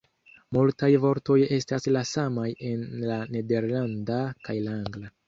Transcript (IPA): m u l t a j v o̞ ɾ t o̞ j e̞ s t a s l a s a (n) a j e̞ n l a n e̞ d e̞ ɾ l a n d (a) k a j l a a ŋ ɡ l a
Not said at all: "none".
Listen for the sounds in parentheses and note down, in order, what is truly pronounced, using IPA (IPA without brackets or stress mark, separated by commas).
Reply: m, a